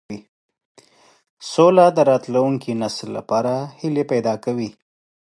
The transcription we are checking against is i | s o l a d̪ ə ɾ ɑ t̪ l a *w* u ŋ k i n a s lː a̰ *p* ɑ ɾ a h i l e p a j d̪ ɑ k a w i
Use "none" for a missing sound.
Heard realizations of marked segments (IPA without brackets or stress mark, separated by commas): w, p